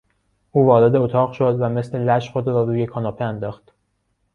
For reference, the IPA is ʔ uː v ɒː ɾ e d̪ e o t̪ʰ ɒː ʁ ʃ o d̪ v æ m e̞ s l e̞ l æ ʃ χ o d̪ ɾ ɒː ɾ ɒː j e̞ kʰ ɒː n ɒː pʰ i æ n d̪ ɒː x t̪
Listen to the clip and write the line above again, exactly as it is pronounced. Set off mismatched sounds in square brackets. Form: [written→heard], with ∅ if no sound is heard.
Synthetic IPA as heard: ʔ uː v ɒː ɾ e d̪ e o t̪ʰ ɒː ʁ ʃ o d̪ v æ m e̞ s l e̞ l æ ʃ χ o d̪ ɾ ɒː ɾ [ɒː→uː] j e̞ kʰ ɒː n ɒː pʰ [i→e] æ n d̪ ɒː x t̪